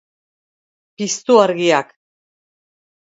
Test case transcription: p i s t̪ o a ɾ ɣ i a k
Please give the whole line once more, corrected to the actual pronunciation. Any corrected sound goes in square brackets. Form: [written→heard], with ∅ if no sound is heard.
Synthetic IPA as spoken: p i s t̪ [o→u] a ɾ ɣ i a k